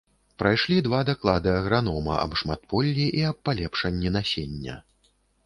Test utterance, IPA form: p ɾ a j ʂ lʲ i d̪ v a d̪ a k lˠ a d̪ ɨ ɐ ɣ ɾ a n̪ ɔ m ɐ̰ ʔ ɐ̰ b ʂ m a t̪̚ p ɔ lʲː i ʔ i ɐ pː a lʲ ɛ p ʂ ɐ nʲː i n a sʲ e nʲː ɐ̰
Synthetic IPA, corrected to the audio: p ɾ a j ʂ lʲ i d̪ v a d̪ a k lˠ a d̪ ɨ ɐ ɣ ɾ a n̪ ɔ m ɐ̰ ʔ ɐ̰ b ʂ m a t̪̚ p ɔ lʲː i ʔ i ɐ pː a lʲ ɛ p ʂ ɐ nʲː i n a sʲ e nʲː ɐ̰